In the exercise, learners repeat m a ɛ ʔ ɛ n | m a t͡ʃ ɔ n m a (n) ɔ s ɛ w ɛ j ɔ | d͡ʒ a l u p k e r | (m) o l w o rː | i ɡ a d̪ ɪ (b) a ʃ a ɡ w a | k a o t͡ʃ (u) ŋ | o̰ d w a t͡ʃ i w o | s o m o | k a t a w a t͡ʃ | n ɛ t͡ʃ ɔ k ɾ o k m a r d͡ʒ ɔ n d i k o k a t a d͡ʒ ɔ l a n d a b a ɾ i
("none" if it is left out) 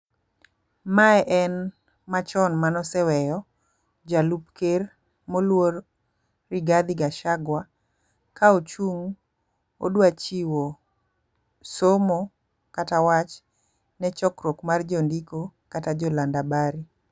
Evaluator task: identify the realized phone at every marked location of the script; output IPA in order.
n, m, ɡ, u

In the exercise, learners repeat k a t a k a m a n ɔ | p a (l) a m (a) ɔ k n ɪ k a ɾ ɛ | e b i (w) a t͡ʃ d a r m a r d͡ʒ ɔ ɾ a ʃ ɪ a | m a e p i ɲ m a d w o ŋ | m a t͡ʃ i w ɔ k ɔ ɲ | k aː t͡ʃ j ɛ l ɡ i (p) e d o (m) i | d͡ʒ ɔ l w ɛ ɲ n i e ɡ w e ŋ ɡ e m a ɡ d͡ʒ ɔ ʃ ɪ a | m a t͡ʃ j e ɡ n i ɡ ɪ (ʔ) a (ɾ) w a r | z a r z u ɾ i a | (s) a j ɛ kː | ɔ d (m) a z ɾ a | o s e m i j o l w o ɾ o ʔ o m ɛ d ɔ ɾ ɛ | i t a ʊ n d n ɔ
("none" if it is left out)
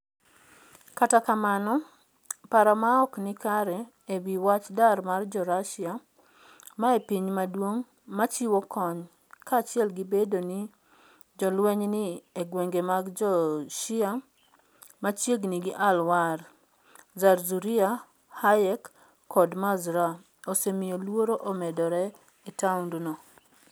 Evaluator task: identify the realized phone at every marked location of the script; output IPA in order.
ɾ, a, w, b, n, ʔ, l, h, m

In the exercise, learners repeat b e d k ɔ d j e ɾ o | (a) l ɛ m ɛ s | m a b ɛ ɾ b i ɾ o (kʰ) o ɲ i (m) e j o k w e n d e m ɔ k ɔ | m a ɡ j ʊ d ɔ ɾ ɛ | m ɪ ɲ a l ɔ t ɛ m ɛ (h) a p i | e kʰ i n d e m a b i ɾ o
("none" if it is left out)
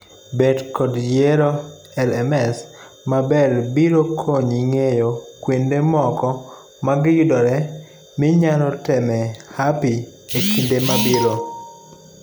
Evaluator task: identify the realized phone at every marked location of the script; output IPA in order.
ɛ, kʰ, ŋ, h

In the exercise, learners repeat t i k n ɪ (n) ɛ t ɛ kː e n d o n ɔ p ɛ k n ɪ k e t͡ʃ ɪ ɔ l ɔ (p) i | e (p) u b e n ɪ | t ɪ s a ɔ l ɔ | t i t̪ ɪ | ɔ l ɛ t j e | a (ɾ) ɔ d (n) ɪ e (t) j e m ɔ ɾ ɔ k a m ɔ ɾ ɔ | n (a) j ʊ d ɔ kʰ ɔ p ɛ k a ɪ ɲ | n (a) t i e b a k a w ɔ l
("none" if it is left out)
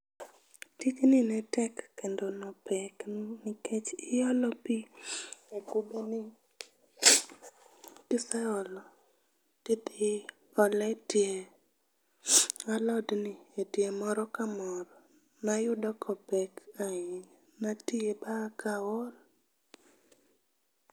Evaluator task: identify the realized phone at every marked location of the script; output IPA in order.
n, p, k, l, n, t, a, a

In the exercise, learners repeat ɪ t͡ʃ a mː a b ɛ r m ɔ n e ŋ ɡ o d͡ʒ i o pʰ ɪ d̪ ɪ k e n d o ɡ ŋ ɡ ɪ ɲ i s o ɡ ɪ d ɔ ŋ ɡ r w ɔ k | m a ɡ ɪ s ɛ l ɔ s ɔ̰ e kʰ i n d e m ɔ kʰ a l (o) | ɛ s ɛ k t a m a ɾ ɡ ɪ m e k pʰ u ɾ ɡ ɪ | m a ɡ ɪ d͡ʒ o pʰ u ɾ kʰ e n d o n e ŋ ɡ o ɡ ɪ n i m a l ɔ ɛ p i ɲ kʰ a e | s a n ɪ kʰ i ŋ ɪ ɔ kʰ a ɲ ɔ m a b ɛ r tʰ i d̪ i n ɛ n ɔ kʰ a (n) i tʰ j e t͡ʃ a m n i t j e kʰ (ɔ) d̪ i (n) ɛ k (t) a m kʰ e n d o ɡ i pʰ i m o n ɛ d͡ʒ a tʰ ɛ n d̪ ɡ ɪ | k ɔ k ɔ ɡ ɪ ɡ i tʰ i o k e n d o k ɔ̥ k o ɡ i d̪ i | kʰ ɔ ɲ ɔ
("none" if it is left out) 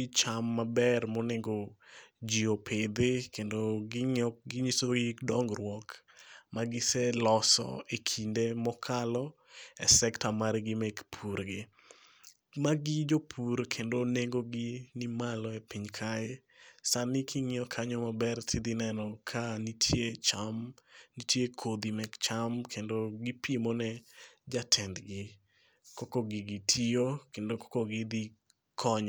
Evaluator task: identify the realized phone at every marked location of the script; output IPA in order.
ɔ, n, o, m, t͡ʃ

